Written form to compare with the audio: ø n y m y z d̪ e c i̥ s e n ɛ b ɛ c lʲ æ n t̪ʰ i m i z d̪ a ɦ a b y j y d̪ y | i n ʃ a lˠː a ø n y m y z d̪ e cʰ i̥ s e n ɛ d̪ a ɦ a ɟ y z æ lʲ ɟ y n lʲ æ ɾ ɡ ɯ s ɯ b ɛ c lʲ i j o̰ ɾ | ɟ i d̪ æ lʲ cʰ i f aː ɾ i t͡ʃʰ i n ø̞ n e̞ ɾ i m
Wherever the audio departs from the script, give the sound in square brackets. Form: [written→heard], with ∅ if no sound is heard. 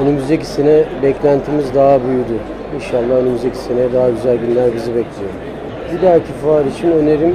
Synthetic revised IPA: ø n y m y z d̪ e c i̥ s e n ɛ b ɛ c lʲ æ n t̪ʰ i m i z d̪ a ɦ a b y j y d̪ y | i n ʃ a lˠː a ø n y m y z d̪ e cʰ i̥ s e n ɛ d̪ a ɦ a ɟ y z æ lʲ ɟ y n lʲ æ ɾ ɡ ɯ [s→z] ɯ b ɛ c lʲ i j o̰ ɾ | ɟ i d̪ æ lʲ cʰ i f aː ɾ i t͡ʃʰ i n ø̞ n e̞ ɾ i m